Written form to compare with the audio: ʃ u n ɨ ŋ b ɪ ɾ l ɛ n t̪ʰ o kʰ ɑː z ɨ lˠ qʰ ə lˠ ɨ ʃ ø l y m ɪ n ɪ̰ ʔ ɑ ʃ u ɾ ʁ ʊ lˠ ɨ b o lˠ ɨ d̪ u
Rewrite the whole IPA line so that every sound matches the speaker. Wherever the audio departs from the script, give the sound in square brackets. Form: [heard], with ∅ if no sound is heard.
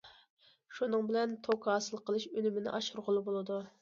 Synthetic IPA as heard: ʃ u n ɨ ŋ b ɪ [∅] l ɛ n t̪ʰ o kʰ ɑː [s] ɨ lˠ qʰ ə lˠ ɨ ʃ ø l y m ɪ n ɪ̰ ʔ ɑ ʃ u ɾ ʁ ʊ lˠ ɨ b o lˠ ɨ d̪ u